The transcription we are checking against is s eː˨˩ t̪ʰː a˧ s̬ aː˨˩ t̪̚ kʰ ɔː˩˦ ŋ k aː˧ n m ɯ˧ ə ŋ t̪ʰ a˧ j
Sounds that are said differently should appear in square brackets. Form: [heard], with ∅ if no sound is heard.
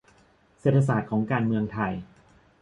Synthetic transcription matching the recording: s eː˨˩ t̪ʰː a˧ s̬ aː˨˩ t̪̚ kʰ ɔː˩˦ ŋ k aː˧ n m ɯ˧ ə ŋ t̪ʰ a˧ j

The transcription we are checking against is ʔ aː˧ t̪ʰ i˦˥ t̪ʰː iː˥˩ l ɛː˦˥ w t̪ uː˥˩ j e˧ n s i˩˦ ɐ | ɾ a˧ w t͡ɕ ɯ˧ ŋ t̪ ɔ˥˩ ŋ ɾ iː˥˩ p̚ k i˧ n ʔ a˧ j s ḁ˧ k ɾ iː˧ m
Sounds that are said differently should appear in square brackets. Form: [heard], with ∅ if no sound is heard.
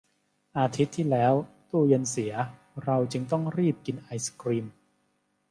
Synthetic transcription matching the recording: ʔ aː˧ t̪ʰ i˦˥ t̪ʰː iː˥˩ l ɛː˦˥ w t̪ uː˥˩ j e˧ n s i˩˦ ɐ | ɾ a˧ w t͡ɕ ɯ˧ ŋ t̪ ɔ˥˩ ŋ ɾ iː˥˩ p̚ k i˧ n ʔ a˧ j s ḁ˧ k ɾ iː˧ m

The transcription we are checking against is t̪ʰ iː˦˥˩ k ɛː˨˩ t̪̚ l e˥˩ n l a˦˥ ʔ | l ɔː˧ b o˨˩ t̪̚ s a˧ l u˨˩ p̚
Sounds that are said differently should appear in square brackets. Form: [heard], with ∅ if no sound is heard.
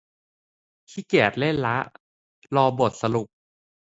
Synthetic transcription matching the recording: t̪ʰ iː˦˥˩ k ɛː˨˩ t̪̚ l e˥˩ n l a˦˥ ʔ | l ɔː˧ b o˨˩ t̪̚ s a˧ l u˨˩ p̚

